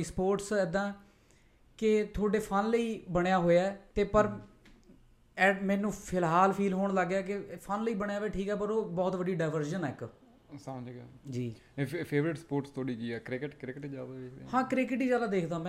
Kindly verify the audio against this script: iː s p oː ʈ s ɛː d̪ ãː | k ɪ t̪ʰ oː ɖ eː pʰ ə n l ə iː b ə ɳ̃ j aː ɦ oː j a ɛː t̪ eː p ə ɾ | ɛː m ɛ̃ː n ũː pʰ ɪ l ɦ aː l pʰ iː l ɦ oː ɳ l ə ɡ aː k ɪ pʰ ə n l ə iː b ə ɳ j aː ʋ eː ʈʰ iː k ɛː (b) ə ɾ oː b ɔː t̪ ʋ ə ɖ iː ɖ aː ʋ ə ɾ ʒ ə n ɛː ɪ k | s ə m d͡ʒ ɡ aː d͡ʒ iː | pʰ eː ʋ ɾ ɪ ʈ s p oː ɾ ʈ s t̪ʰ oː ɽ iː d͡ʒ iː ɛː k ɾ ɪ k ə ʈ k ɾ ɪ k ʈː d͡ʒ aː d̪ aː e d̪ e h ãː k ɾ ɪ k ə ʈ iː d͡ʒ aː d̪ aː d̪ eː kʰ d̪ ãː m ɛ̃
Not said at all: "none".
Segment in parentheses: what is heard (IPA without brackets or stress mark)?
p